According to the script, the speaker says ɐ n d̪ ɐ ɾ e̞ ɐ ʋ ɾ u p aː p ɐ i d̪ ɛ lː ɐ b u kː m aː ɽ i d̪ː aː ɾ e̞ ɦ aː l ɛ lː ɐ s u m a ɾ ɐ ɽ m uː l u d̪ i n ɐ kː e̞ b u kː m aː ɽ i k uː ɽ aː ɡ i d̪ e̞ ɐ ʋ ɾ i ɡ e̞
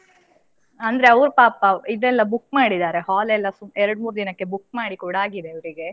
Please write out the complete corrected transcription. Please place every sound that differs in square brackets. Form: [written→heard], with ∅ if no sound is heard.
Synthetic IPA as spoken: ɐ n d̪ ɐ ɾ e̞ ɐ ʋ ɾ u p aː p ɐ i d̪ ɛ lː ɐ b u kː m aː ɽ i [d̪ː→d̪] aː ɾ e̞ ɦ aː l ɛ lː ɐ s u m [a→ɛ] ɾ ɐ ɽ m uː [l→ɾ] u d̪ i n ɐ kː e̞ b u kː m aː ɽ i k uː ɽ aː ɡ i d̪ e̞ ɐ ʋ ɾ i ɡ e̞

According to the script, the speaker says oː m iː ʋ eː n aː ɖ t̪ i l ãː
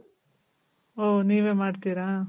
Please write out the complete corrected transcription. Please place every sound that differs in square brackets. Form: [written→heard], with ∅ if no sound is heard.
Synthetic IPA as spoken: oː [m→n] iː ʋ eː [n→m] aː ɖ t̪ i [l→ɾ] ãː

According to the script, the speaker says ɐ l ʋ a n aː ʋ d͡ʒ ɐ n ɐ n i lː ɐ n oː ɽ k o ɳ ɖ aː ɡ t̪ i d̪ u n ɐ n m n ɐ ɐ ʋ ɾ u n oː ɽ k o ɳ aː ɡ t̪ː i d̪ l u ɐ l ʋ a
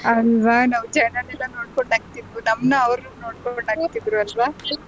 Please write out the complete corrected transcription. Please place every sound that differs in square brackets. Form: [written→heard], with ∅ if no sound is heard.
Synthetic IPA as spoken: ɐ l ʋ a n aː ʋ d͡ʒ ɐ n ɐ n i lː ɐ n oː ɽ k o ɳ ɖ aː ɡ t̪ i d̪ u n ɐ [n→∅] m n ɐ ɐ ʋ ɾ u n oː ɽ k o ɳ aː ɡ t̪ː i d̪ [l→ɾ] u ɐ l ʋ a

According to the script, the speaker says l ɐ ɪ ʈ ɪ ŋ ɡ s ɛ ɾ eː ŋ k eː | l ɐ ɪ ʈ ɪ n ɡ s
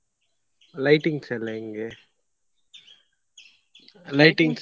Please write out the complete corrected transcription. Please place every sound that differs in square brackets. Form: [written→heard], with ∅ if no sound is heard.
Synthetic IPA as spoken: l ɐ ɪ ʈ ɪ ŋ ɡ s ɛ [ɾ→l] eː ŋ [k→ɡ] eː | l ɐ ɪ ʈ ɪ [n→ŋ] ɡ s

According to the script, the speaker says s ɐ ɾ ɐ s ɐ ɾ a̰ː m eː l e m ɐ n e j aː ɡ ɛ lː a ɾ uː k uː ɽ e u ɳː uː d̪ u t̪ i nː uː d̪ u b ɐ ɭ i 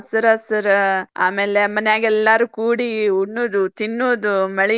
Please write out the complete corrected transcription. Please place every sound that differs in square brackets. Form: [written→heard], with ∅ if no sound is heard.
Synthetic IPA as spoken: s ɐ ɾ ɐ s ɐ ɾ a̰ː m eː l e m ɐ n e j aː ɡ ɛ lː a ɾ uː k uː ɽ [e→i] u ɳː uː d̪ u t̪ i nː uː d̪ u [b→m] ɐ ɭ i

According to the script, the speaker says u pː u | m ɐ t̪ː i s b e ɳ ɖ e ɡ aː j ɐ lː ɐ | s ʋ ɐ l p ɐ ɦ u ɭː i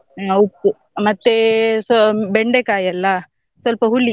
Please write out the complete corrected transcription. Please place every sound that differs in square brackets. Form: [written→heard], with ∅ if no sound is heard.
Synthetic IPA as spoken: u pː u | m ɐ t̪ː [i→e] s b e ɳ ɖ e [ɡ→k] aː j ɐ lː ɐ | s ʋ ɐ l p ɐ ɦ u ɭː i

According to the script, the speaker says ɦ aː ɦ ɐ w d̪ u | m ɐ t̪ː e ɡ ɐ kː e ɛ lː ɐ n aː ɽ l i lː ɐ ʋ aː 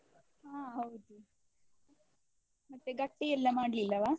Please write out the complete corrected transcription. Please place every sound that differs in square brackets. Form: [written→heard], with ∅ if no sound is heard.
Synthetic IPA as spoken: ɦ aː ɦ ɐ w d̪ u | m ɐ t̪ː e ɡ ɐ [kː→ʈː] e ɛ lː ɐ [n→m] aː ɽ l i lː ɐ ʋ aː

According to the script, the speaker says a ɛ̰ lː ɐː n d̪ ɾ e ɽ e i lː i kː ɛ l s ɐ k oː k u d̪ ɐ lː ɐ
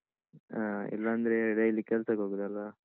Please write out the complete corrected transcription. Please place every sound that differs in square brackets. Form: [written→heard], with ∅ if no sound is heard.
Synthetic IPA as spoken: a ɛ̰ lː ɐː n d̪ ɾ e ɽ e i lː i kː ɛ l s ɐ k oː [k→ɡ] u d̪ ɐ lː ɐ

